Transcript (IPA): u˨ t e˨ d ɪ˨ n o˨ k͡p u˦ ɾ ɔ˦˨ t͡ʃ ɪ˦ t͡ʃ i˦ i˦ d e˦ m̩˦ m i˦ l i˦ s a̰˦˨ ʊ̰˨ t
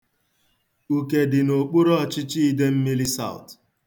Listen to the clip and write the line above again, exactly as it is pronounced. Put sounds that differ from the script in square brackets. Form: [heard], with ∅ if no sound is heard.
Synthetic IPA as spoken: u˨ [k] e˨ d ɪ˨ n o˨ k͡p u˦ ɾ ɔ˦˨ t͡ʃ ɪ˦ t͡ʃ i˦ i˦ d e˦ m̩˦ m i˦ l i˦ s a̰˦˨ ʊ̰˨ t